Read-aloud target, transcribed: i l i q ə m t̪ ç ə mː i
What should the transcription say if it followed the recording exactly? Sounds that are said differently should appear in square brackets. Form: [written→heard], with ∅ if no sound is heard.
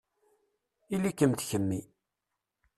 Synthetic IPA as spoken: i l i [q→k] ə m t̪ ç ə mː i